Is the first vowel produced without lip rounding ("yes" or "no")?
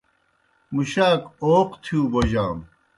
no